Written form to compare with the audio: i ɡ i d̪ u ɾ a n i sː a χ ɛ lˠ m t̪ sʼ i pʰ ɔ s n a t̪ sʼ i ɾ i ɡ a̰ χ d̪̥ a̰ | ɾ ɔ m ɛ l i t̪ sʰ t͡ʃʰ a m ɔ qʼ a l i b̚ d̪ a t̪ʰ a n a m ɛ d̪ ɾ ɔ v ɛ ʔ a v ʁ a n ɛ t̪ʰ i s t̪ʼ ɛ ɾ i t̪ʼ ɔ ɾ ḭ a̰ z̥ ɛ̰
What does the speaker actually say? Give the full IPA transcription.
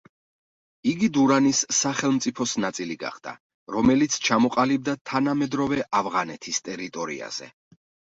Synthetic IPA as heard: i ɡ i d̪ u ɾ a n i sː a χ ɛ lˠ m t̪ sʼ i pʰ ɔ s n a t̪ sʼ i l i ɡ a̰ χ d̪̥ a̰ | ɾ ɔ m ɛ l i t̪ sʰ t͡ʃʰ a m ɔ qʼ a l i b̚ d̪ a t̪ʰ a n a m ɛ d̪ ɾ ɔ v ɛ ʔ a v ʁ a n ɛ t̪ʰ i s t̪ʼ ɛ ɾ i t̪ʼ ɔ ɾ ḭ a̰ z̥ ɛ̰